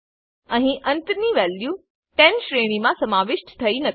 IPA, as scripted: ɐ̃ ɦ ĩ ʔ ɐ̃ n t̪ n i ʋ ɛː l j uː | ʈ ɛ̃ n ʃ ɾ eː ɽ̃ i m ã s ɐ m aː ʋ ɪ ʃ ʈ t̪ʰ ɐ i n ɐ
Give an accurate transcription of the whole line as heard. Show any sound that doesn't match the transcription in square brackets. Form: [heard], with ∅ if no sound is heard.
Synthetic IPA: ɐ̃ ɦ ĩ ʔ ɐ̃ n t̪ n i ʋ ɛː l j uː | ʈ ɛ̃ n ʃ ɾ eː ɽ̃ i m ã s ɐ m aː ʋ ɪ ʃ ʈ t̪ʰ ɐ i n ɐ